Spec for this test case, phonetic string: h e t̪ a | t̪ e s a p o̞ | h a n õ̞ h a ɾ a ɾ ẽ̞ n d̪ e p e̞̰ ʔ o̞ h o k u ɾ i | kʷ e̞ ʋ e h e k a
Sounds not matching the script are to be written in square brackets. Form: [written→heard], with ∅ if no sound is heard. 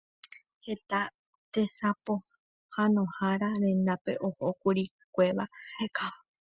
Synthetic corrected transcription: h e t̪ a | t̪ e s a p o̞ | h a n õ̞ h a ɾ a ɾ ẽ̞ n d̪ [e→a] p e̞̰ ʔ o̞ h o k u ɾ i | kʷ e̞ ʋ [e→a] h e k a